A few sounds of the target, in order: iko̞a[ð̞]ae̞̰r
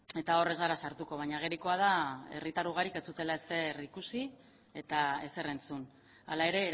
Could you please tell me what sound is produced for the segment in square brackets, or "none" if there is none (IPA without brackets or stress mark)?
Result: ð̞